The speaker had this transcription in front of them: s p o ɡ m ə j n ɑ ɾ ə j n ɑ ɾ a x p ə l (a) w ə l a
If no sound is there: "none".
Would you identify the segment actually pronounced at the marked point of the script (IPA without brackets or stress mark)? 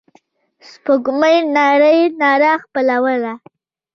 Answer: a